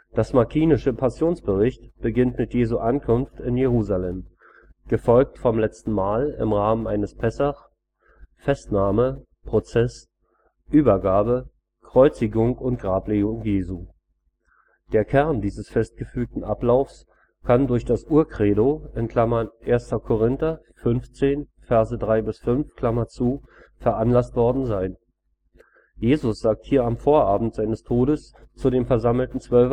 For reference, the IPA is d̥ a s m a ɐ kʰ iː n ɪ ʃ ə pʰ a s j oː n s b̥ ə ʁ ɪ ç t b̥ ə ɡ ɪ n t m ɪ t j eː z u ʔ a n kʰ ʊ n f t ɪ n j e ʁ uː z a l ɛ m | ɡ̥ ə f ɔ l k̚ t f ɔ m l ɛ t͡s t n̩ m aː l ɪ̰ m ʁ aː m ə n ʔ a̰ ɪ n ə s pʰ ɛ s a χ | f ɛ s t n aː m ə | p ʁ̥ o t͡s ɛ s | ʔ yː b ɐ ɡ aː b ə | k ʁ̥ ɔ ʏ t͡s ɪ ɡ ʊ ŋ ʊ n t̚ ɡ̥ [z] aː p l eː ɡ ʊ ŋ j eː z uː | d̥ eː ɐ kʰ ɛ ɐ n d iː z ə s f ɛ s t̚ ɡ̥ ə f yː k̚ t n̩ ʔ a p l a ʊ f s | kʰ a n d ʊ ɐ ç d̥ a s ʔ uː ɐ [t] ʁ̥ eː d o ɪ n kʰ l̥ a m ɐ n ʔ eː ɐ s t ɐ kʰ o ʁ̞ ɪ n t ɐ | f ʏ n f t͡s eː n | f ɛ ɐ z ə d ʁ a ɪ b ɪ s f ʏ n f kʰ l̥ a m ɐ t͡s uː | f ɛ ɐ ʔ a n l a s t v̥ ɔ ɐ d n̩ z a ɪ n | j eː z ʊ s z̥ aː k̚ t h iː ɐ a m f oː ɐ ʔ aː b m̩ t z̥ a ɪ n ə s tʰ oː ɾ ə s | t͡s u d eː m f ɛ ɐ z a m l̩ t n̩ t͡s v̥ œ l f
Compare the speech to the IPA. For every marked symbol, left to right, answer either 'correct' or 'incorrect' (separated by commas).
incorrect, incorrect